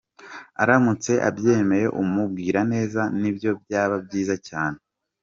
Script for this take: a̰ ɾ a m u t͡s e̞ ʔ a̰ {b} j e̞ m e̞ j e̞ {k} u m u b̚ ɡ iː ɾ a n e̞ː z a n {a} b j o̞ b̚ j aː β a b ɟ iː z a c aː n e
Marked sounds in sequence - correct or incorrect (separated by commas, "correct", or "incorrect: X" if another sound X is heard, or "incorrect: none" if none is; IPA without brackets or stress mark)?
correct, incorrect: ʔ, incorrect: i